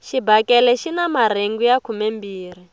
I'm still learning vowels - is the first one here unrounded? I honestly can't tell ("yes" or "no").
yes